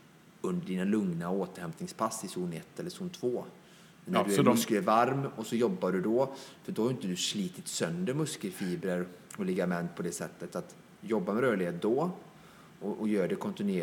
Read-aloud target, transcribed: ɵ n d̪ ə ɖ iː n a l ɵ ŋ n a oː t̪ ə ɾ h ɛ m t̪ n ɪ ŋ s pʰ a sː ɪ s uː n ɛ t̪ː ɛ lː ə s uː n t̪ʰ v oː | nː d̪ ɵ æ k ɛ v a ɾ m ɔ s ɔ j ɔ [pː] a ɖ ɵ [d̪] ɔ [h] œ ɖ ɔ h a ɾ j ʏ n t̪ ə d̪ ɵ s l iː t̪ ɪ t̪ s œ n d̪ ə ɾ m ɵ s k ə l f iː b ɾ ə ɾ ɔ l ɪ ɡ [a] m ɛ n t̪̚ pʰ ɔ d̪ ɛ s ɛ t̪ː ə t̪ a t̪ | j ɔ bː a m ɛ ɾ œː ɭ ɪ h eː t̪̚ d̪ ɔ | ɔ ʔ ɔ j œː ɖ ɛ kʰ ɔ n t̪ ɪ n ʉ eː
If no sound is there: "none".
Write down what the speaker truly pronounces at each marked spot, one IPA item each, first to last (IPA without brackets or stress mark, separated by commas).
bː, d̪, f, a